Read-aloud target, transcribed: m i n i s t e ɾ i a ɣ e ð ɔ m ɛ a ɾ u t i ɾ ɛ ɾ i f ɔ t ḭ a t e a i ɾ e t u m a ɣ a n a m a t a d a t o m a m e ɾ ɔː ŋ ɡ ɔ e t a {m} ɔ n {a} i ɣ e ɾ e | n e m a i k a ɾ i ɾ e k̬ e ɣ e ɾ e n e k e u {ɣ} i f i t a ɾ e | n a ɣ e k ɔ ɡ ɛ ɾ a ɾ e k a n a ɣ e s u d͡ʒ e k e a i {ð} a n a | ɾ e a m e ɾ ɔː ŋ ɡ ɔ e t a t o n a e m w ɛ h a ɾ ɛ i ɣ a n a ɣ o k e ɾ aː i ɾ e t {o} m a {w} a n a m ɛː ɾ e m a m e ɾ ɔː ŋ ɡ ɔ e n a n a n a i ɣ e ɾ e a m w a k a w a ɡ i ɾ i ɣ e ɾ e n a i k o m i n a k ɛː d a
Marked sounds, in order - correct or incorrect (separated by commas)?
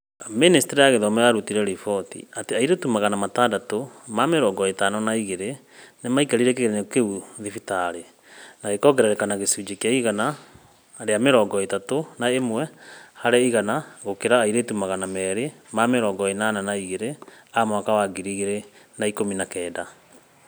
incorrect, correct, incorrect, incorrect, incorrect, incorrect